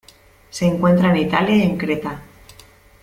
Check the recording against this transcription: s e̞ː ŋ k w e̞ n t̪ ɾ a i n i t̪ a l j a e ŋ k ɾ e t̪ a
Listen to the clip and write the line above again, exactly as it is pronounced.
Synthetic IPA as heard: s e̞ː ŋ k w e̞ n t̪ ɾ a e n i t̪ a l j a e ŋ k ɾ e t̪ a

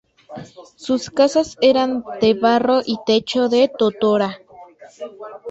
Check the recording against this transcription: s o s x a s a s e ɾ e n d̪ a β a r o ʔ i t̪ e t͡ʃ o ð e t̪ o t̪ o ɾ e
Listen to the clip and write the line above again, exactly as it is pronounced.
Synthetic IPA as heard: s u s k a s a s e ɾ a n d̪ e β a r o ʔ i t̪ e t͡ʃ o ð e t̪ o t̪ o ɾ a

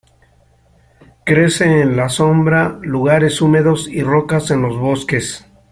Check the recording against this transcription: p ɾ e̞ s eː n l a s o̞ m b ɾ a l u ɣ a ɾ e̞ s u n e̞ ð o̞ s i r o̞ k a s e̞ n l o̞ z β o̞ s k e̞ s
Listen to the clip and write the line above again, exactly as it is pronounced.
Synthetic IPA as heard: k ɾ e̞ s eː n l a s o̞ m b ɾ a l u ɣ a ɾ e̞ s u m e̞ ð o̞ s i r o̞ k a s e̞ n l o̞ z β o̞ s k e̞ s

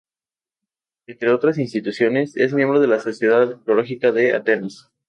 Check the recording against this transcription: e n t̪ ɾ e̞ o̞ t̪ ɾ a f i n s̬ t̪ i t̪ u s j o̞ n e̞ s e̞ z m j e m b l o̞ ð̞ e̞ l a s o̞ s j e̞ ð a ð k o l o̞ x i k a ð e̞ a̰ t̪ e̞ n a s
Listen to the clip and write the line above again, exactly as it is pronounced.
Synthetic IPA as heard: e n t̪ ɾ e̞ o̞ t̪ ɾ a s i n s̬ t̪ i t̪ u s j o̞ n e̞ s e̞ z m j e m b ɾ o̞ ð̞ e̞ l a s o̞ s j e̞ ð a ð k o l o̞ x i k a ð e̞ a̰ t̪ e̞ n a s

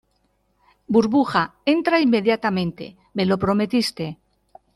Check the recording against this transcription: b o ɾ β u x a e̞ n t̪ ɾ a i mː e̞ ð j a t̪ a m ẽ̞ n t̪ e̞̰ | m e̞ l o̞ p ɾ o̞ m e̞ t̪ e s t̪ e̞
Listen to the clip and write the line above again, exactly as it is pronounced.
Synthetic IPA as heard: b u ɾ β u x a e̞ n t̪ ɾ a i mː e̞ ð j a t̪ a m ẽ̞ n t̪ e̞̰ | m e̞ l o̞ p ɾ o̞ m e̞ t̪ i s t̪ e̞

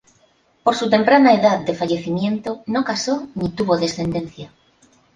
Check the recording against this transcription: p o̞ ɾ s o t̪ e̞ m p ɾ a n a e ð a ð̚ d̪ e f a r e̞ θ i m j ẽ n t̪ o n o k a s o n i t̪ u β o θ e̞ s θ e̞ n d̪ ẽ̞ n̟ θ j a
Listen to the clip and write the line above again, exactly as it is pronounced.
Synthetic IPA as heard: p o̞ ɾ s u t̪ e̞ m p ɾ a n a e ð a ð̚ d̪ e f a ʎ e̞ θ i m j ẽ n t̪ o n o k a s o n i t̪ u β o ð e̞ s θ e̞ n d̪ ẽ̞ n̟ θ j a

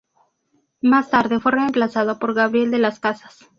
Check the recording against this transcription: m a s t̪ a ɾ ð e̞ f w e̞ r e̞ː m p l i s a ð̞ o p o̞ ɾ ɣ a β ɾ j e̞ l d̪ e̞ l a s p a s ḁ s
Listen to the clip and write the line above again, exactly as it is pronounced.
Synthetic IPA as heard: m a s t̪ a ɾ ð e̞ f w e̞ r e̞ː m p l a s a ð̞ o p o̞ ɾ ɣ a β ɾ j e̞ l d̪ e̞ l a s k a s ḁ s

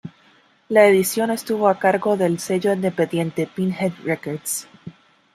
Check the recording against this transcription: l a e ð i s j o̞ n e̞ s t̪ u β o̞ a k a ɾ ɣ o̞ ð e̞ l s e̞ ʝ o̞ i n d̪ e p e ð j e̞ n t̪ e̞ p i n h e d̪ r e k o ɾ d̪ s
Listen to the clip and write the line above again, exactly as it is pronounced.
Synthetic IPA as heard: l a e ð i s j o̞ n e̞ s t̪ u β o̞ a k a ɾ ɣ o̞ ð e̞ l s e̞ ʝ o̞ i n d̪ e p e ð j e̞ n t̪ e̞ p i n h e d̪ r e k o ɾ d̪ s

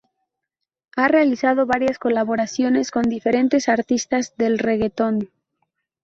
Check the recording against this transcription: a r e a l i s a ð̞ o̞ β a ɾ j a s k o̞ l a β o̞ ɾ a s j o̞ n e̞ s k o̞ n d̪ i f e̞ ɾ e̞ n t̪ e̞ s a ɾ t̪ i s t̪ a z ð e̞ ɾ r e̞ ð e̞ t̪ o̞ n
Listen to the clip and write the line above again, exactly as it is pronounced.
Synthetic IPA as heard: a r e a l i s a ð̞ o̞ β a ɾ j a s k o̞ l a β o̞ ɾ a s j o̞ n e̞ s k o̞ n d̪ i f e̞ ɾ e̞ n t̪ e̞ s a ɾ t̪ i s t̪ a z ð e̞ l r e̞ ɣ e̞ t̪ o̞ n

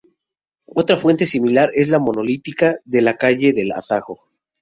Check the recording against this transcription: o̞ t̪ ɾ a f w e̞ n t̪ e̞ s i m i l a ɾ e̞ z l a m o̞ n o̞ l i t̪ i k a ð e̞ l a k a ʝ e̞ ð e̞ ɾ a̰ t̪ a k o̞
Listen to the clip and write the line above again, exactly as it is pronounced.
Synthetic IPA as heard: o̞ t̪ ɾ a f w e̞ n t̪ e̞ s i m i l a ɾ e̞ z l a m o̞ n o̞ l i t̪ i k a ð e̞ l a k a ʝ e̞ ð e̞ l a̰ t̪ a x o̞

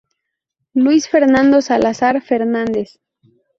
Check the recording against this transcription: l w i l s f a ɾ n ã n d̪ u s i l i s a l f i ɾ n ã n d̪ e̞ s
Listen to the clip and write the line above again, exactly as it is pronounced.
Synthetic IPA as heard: l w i s f e ɾ n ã n d̪ o s a l a s a ɾ f e ɾ n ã n d̪ e̞ s

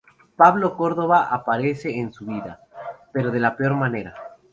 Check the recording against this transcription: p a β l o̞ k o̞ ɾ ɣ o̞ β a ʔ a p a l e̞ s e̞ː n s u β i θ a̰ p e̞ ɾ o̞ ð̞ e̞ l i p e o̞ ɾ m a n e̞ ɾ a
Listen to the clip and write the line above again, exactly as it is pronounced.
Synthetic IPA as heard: p a β l o̞ k o̞ ɾ ð o̞ β a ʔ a p a ɾ e̞ s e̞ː n s u β i ð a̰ p e̞ ɾ o̞ ð̞ e̞ l a p e o̞ ɾ m a n e̞ ɾ a

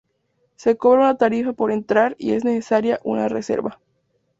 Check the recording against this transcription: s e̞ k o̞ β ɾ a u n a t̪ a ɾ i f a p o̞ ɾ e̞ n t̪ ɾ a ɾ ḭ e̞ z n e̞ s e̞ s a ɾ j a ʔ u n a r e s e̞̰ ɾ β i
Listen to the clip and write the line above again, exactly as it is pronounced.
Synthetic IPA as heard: s e̞ k o̞ β ɾ a u n a t̪ a ɾ i f a p o̞ ɾ e̞ n t̪ ɾ a ɾ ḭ e̞ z n e̞ s e̞ s a ɾ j a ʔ u n a r e s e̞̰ ɾ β a

